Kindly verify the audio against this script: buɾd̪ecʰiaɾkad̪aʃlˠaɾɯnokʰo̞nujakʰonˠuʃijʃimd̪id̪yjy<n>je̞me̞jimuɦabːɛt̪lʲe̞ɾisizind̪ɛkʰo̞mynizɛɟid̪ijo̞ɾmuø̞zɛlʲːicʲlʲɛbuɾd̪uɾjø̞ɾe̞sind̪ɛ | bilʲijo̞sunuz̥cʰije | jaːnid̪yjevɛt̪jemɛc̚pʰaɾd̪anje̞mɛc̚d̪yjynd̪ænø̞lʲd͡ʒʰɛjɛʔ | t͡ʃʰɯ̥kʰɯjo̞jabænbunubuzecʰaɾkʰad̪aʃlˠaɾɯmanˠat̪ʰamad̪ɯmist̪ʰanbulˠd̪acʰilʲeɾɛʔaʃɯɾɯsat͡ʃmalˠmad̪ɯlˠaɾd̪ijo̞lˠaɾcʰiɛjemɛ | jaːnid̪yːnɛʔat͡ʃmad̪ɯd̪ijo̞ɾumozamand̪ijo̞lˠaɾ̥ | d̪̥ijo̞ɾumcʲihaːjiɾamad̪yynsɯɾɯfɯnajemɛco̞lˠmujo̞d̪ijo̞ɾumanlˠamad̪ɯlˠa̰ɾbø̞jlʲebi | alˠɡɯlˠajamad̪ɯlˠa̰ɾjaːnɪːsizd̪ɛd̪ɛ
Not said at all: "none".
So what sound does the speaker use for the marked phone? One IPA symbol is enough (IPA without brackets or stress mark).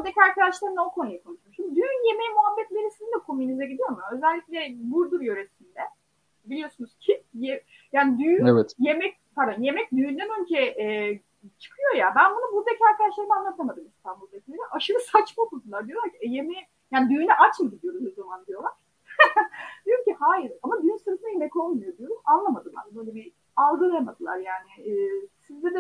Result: n